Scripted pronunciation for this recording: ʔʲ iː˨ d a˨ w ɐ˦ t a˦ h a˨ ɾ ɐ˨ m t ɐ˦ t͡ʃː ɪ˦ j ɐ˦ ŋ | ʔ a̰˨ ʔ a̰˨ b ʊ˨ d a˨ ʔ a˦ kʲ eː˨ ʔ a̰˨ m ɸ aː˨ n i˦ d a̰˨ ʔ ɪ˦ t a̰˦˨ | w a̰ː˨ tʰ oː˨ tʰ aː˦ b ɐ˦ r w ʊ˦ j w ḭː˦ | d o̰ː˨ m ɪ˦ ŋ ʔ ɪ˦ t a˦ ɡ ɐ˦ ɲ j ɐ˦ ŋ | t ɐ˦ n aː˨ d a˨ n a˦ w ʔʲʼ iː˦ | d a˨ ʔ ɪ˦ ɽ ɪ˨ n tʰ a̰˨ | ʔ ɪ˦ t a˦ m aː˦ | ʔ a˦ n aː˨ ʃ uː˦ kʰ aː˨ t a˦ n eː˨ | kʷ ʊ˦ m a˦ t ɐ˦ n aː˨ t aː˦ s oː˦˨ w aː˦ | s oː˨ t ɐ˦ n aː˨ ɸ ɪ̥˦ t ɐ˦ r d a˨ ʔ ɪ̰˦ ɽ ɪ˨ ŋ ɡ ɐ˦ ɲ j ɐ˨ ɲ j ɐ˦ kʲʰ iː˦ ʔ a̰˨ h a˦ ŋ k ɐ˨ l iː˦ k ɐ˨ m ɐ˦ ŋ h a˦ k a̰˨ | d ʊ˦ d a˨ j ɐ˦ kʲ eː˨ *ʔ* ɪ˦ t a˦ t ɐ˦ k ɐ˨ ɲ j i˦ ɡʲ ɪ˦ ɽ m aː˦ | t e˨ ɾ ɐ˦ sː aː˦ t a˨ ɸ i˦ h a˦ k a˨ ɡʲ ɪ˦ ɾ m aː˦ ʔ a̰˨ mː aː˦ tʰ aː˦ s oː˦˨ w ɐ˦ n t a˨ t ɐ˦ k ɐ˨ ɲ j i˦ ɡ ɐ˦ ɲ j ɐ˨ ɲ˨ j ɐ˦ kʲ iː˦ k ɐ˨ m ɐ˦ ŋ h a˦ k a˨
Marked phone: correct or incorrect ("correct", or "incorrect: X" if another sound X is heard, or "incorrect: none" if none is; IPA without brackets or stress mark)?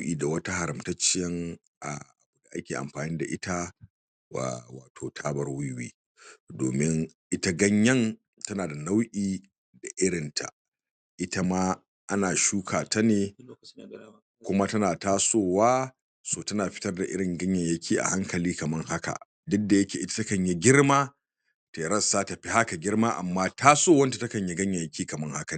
correct